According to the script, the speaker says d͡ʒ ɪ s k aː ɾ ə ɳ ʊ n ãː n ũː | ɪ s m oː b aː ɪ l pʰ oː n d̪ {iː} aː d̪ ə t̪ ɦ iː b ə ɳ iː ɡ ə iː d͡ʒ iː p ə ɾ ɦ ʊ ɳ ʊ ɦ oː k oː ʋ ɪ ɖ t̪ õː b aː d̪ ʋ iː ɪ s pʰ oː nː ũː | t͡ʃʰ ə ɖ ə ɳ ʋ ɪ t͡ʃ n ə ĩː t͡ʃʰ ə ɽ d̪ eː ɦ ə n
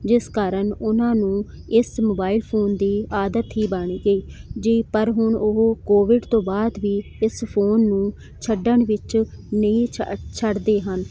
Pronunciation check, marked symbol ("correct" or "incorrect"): correct